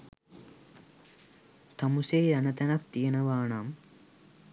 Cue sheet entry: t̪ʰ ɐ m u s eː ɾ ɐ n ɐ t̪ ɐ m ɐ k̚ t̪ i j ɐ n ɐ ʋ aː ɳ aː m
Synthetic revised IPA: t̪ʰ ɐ m u s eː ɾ ɐ n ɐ t̪ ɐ n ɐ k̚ t̪ i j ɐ n ɐ ʋ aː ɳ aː m